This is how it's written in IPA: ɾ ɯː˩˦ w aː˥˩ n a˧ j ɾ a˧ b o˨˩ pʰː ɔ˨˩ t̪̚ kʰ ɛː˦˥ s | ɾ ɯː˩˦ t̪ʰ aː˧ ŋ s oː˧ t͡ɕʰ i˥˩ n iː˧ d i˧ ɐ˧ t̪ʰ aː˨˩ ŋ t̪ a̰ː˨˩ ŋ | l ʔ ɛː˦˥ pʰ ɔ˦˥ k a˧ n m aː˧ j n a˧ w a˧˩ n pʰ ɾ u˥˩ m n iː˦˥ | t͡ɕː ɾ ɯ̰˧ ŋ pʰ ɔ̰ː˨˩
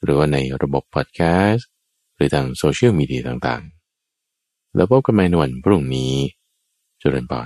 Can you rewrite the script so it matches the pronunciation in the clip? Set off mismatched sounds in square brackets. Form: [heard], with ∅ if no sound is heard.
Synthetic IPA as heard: ɾ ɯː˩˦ w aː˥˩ n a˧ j ɾ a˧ b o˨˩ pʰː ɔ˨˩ t̪̚ kʰ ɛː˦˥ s | ɾ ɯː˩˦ t̪ʰ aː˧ ŋ s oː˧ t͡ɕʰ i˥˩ [m] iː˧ d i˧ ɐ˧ [t̪] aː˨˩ ŋ t̪ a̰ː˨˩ ŋ | l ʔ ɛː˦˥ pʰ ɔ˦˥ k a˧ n m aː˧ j n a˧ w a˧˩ n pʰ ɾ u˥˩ [ŋ] n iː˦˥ | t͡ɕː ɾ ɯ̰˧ [n] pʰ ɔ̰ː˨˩